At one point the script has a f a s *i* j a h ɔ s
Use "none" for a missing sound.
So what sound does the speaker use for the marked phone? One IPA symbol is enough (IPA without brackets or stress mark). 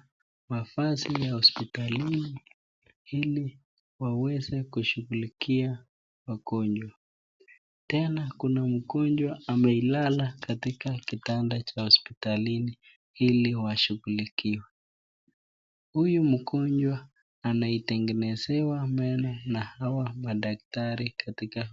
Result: i